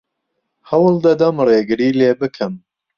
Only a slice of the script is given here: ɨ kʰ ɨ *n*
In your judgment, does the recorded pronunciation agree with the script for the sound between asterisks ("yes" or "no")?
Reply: no